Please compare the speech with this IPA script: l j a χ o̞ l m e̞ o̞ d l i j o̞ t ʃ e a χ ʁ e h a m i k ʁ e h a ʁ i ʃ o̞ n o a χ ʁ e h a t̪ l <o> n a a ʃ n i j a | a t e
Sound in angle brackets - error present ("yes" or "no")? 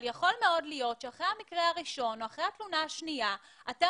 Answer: yes